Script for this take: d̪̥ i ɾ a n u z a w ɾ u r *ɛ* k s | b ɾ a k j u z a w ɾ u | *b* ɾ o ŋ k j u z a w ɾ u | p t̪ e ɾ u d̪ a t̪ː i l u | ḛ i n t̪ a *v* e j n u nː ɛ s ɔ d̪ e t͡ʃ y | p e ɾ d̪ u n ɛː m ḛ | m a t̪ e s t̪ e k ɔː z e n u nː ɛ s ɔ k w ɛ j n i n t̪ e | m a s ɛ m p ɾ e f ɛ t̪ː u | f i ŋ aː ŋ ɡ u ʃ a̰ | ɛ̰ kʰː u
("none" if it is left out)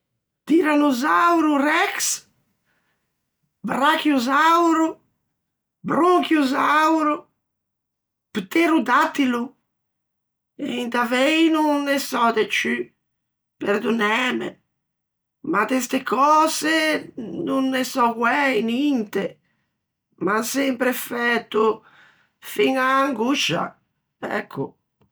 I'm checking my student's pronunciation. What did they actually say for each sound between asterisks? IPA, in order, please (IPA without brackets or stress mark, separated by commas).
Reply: ɛ, b, v